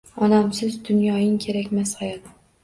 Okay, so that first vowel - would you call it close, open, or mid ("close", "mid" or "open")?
open